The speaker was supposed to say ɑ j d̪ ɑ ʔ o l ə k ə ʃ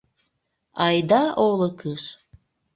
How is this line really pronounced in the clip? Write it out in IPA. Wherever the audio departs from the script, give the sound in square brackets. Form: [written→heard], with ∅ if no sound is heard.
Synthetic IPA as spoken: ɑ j d̪ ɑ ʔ o l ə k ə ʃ